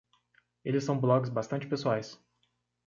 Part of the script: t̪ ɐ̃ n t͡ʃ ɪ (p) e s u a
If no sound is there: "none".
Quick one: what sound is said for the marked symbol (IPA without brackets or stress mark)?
p